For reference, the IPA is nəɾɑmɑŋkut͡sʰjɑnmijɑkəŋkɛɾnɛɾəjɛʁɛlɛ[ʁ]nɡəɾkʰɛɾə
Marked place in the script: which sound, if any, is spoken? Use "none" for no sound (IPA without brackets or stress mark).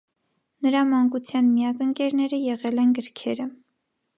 none